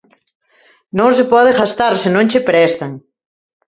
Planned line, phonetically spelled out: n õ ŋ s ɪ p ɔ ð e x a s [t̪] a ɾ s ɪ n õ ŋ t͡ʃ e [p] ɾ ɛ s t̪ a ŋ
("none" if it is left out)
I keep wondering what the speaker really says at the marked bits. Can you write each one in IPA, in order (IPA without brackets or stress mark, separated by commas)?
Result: t̪, p